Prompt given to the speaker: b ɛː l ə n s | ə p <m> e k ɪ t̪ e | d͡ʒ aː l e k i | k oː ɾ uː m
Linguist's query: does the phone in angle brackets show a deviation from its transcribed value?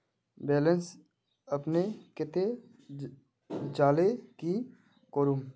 yes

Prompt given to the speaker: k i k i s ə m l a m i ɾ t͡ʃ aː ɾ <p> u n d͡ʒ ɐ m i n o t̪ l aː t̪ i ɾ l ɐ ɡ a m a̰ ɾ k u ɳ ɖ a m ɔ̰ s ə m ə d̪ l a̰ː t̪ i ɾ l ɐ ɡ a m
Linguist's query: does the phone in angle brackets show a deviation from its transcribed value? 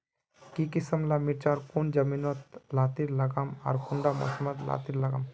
yes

